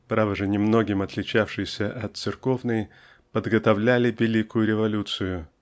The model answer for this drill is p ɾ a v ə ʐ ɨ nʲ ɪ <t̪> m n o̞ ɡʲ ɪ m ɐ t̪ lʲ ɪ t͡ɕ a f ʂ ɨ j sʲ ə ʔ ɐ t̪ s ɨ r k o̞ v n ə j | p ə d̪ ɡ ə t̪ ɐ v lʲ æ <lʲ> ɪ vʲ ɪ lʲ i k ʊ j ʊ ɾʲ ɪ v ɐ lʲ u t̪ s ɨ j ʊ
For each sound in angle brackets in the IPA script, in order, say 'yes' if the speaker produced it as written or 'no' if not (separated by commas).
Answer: no, yes